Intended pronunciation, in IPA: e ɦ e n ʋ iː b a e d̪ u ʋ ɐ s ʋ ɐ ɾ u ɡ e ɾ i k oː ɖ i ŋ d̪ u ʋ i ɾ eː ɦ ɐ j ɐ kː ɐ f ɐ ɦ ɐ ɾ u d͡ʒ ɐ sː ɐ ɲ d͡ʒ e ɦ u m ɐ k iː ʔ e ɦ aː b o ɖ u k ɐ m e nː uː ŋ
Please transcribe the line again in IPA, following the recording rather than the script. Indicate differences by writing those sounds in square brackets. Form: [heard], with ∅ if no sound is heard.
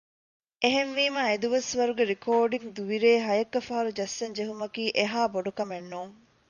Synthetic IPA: e ɦ e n ʋ iː [m] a e d̪ u ʋ ɐ s ʋ ɐ ɾ u ɡ e ɾ i k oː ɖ i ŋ d̪ u ʋ i ɾ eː ɦ ɐ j ɐ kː ɐ f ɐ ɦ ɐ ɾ u d͡ʒ ɐ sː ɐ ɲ d͡ʒ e ɦ u m ɐ k iː ʔ e ɦ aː b o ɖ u k ɐ m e nː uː ŋ

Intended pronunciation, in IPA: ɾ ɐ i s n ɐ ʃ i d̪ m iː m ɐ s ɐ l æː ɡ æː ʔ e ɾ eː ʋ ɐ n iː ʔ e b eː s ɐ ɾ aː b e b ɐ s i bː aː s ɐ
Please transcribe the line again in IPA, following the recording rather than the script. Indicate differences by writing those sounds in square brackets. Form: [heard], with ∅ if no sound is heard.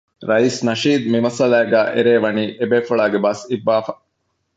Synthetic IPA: ɾ ɐ i s n ɐ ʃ [iː] d̪ m [i] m ɐ s ɐ l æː ɡ æː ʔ e ɾ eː ʋ ɐ n iː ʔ e b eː [f] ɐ [ɭ] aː [ɡ] e b ɐ s i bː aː [f] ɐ

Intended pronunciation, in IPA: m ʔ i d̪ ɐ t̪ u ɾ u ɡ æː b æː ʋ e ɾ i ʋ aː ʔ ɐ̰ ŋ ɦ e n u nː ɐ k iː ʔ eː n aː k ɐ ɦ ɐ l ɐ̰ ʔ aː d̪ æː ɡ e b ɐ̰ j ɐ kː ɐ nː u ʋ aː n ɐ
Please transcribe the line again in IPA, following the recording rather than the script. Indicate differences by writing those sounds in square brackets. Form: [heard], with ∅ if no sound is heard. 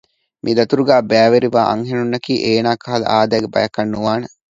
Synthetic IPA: m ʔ i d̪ ɐ t̪ u ɾ u ɡ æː b æː ʋ e ɾ i ʋ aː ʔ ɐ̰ ŋ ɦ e n u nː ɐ k iː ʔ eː n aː k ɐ ɦ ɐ l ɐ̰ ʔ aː d̪ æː ɡ e b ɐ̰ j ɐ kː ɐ nː u ʋ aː n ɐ

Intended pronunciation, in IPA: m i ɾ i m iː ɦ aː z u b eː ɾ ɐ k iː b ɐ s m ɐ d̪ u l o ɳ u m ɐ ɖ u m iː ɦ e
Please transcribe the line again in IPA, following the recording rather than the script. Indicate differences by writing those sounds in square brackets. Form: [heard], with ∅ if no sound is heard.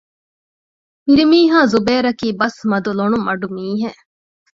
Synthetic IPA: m i ɾ i m iː ɦ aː z u b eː ɾ ɐ k iː b ɐ s m ɐ d̪ u l o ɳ u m ɐ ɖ u m iː ɦ e

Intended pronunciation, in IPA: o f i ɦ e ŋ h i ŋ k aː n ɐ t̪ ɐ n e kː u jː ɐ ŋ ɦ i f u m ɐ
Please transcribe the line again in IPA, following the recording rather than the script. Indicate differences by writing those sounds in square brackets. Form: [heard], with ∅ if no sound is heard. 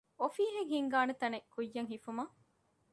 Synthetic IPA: o f [iː] ɦ e ŋ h i ŋ [ɡ] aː n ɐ t̪ ɐ n e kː u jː ɐ ŋ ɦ i f u m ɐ

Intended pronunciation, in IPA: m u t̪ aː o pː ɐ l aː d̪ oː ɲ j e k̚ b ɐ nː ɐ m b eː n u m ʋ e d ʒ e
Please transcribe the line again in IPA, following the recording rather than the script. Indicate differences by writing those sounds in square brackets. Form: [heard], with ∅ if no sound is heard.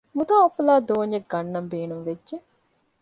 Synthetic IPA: m u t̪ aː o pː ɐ l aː d̪ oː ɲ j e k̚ [ɡ] ɐ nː ɐ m b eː n u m ʋ e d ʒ e

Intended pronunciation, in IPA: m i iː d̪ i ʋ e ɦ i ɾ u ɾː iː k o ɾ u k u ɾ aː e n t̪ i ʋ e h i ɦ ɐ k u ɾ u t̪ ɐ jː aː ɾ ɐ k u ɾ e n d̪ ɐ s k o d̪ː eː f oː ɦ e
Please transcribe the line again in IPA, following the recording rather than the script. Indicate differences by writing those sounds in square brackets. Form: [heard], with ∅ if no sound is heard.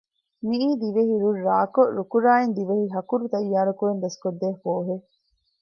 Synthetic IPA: m i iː d̪ i ʋ e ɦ i ɾ u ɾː [aː] k o ɾ u k u ɾ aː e n [d̪] i ʋ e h i ɦ ɐ k u ɾ u t̪ ɐ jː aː ɾ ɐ k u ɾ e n d̪ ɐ s k o d̪ː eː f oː ɦ e

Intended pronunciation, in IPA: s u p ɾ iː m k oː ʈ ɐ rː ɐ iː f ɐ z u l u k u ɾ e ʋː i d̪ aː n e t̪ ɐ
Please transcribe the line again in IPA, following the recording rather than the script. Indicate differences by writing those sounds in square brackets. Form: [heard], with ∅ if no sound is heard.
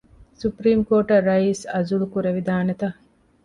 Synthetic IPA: s u p ɾ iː m k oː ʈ ɐ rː ɐ iː [s] ɐ z u l u k u ɾ e [ʋ] i d̪ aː n e t̪ ɐ

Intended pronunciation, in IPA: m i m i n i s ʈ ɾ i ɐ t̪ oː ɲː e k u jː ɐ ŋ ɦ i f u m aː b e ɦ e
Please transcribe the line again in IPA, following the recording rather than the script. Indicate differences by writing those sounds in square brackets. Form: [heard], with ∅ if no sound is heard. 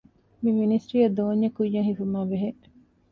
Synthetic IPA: m i m i n i s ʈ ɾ i ɐ [d̪] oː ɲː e k u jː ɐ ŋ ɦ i f u m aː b e ɦ e

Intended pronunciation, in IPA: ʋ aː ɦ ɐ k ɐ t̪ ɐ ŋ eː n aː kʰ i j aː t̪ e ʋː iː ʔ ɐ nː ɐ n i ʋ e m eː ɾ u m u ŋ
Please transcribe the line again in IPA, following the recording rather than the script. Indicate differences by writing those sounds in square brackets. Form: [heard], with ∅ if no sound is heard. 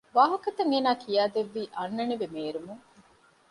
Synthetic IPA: ʋ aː ɦ ɐ k ɐ t̪ ɐ ŋ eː n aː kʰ i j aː [d̪] e ʋː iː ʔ ɐ nː ɐ n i ʋ e m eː ɾ u m u ŋ

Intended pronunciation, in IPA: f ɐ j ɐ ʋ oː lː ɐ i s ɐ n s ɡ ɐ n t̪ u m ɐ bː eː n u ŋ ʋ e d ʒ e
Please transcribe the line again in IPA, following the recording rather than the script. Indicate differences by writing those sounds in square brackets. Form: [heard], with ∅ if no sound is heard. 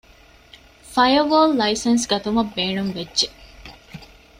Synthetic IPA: f ɐ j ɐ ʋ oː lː ɐ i s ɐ n s ɡ ɐ [∅] t̪ u m ɐ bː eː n u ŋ ʋ e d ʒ e

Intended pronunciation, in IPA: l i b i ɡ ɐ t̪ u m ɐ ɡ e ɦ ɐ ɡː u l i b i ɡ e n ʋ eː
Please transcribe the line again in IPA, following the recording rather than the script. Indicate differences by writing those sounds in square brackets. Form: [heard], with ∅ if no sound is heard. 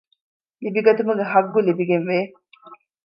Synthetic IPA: l i b i ɡ ɐ t̪ u m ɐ ɡ e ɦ ɐ ɡː u l i b i ɡ e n ʋ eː

